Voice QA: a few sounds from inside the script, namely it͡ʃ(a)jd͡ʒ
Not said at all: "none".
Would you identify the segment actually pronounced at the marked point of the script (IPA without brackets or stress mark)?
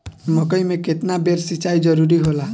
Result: a